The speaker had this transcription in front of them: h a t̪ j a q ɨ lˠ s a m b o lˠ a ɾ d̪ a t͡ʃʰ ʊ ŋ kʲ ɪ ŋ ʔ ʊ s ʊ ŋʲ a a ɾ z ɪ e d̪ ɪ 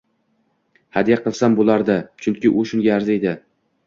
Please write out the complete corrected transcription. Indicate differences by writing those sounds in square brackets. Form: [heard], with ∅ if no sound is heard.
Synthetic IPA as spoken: h a [d̪] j a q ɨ lˠ s a m b o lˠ a ɾ d̪ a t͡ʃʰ ʊ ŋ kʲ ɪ [∅] ʔ ʊ [ʃ] ʊ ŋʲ a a ɾ z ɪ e d̪ ɪ